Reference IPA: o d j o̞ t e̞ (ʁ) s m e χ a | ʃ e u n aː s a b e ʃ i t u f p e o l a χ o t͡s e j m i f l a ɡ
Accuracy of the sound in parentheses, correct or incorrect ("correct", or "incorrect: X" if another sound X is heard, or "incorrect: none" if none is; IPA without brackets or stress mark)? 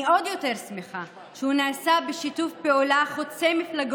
correct